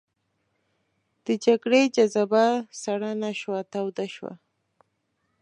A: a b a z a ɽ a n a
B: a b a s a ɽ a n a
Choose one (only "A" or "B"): B